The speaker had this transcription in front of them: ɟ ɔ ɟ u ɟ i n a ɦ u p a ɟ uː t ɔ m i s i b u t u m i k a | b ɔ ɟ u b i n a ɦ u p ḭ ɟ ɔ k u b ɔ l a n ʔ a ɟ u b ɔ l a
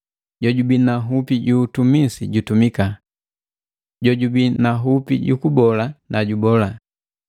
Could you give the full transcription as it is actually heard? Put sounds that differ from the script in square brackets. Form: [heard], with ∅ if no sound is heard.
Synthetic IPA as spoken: ɟ ɔ ɟ u [b] i n a ɦ u p [i] ɟ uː t [u] m i s i [ɟ] u t u m i k a | [ɟ] ɔ ɟ u b i n a ɦ u p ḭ ɟ [u] k u b ɔ l a n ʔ a ɟ u b ɔ l a